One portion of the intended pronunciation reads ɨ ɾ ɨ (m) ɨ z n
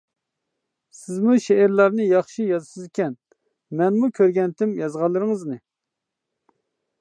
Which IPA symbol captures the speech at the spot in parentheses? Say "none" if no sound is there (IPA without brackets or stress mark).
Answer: ŋ